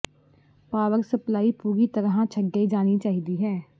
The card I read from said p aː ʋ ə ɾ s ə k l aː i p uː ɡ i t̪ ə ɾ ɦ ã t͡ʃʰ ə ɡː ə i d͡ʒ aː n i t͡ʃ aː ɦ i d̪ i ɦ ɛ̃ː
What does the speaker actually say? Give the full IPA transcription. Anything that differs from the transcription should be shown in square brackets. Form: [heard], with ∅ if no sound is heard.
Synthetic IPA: p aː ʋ ə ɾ s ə [p] l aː i p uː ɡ i t̪ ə ɾ ɦ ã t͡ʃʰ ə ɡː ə i d͡ʒ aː n i t͡ʃ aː ɦ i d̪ i ɦ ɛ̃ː

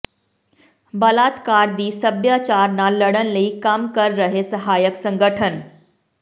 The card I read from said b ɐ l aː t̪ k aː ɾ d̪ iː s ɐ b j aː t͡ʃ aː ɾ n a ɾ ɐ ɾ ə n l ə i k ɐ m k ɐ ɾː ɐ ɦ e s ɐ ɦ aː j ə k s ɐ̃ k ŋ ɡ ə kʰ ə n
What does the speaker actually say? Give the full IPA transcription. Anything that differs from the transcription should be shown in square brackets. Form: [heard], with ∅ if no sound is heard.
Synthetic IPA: b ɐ l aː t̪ k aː ɾ d̪ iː s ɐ b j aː t͡ʃ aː ɾ n a [l] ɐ [ɽ] ə n l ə i k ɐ m k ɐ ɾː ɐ ɦ e s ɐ ɦ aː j ə k s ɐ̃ [∅] ŋ ɡ ə [ʈʰ] ə n

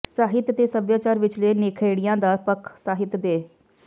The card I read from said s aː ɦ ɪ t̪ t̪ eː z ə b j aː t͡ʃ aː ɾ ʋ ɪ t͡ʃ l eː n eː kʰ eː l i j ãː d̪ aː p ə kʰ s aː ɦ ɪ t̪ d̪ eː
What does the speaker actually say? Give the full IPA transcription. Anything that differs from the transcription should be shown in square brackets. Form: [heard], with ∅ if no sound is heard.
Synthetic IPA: s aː ɦ ɪ t̪ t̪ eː [s] ə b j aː t͡ʃ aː ɾ ʋ ɪ t͡ʃ l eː n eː kʰ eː [ɽ] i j ãː d̪ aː p ə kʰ s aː ɦ ɪ t̪ d̪ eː

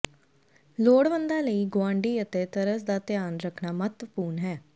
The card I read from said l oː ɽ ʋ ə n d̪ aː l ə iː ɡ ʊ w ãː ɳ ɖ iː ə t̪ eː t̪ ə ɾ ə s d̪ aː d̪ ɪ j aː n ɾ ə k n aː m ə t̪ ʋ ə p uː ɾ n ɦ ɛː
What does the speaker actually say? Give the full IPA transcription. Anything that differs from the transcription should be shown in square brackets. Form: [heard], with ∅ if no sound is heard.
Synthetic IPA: l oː ɽ ʋ ə n d̪ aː l ə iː ɡ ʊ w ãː ɳ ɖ iː ə t̪ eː t̪ ə ɾ ə s d̪ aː [t̪] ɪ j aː n ɾ ə [kʰ] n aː m ə t̪ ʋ ə p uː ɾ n ɦ ɛː

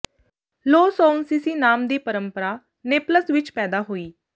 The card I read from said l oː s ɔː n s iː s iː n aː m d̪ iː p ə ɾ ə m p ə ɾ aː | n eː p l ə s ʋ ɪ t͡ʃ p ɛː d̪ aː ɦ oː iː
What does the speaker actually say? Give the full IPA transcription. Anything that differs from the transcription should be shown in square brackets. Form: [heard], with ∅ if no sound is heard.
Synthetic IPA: l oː s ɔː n s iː s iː n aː m d̪ iː p ə ɾ ə m p ə ɾ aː | n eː p l ə s ʋ ɪ t͡ʃ p ɛː d̪ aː ɦ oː iː

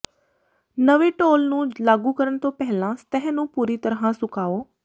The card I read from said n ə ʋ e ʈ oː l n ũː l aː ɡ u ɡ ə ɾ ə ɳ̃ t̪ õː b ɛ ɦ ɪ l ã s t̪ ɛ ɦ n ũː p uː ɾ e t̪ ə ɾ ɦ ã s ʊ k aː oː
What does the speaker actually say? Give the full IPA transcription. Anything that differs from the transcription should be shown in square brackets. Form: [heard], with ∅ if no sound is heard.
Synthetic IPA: n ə ʋ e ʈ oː l n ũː l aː ɡ u [k] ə ɾ ə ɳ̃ t̪ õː [p] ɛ ɦ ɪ l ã s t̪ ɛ ɦ n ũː p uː ɾ [i] t̪ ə ɾ ɦ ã s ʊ k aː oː

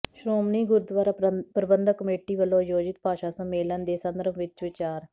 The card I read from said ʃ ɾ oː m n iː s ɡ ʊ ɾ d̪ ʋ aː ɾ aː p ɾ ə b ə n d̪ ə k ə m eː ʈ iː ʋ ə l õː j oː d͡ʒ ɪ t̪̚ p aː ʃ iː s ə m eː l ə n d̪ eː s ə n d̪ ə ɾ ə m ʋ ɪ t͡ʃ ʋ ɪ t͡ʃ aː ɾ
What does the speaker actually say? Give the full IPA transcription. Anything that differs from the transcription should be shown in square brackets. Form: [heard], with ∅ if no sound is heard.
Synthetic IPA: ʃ ɾ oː m n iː [∅] ɡ ʊ ɾ d̪ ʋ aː ɾ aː p ɾ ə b ə n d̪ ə k ə m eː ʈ iː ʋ ə l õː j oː d͡ʒ ɪ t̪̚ p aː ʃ [aː] s ə m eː l ə n d̪ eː s ə n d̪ ə ɾ ə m ʋ ɪ t͡ʃ ʋ ɪ t͡ʃ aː ɾ

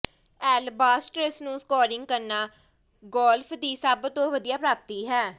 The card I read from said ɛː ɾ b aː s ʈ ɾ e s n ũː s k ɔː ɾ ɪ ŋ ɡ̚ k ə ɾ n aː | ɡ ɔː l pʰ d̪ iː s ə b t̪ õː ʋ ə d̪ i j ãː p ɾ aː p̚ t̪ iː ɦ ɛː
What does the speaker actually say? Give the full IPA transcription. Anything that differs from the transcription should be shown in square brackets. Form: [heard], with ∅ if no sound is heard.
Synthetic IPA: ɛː [l] b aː s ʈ ɾ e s n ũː s k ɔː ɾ ɪ ŋ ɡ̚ k ə ɾ n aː | ɡ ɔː l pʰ d̪ iː s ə b t̪ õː ʋ ə d̪ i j [aː] p ɾ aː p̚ t̪ iː ɦ ɛː

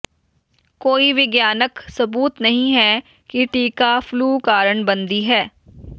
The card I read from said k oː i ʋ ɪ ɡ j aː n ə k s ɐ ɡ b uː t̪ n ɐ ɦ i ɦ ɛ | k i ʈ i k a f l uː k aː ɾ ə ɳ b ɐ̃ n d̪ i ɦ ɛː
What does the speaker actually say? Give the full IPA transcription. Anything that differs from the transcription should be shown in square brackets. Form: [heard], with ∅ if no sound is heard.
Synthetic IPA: k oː i ʋ ɪ ɡ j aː n ə k s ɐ [∅] b uː t̪ n ɐ ɦ [ĩ] ɦ ɛ | k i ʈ [iː] k a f l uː k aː ɾ ə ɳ b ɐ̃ n d̪ i ɦ ɛː

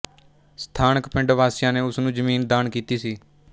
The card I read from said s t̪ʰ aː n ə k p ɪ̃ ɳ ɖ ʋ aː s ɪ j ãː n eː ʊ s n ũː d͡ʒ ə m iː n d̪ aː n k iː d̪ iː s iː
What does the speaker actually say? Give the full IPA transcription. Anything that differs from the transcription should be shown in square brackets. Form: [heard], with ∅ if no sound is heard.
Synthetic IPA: s t̪ʰ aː n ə k p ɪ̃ ɳ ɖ ʋ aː s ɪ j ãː n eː ʊ s n ũː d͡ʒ ə m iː n d̪ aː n k iː [t̪] iː s iː

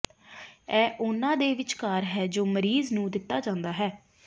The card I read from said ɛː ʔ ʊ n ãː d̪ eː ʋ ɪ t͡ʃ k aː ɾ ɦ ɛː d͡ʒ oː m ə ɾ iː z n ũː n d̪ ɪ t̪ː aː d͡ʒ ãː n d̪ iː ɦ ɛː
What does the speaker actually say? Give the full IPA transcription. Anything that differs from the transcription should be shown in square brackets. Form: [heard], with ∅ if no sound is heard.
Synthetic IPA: ɛː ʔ ʊ n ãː d̪ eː ʋ ɪ t͡ʃ k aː ɾ ɦ ɛː d͡ʒ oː m ə ɾ iː z n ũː [∅] d̪ ɪ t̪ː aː d͡ʒ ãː n d̪ [aː] ɦ ɛː

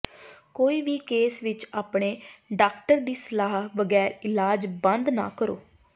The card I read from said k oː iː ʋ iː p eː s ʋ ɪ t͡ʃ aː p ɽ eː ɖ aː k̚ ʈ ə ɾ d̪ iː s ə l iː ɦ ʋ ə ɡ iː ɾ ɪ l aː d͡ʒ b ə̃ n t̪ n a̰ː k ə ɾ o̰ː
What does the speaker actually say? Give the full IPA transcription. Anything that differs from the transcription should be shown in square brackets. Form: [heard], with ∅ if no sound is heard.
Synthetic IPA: k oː iː ʋ iː [k] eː s ʋ ɪ t͡ʃ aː p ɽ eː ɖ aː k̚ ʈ ə ɾ d̪ iː s ə l [aː] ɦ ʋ ə ɡ [ɛː] ɾ ɪ l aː d͡ʒ b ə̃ n [d̪] n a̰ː k ə ɾ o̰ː

